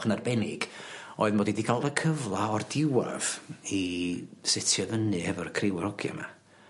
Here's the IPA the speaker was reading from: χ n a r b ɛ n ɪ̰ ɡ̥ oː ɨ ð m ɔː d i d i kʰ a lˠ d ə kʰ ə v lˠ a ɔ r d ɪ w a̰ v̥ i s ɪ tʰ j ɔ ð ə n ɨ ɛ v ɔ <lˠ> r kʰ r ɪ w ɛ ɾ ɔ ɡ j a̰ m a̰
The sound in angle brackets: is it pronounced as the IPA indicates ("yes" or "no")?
no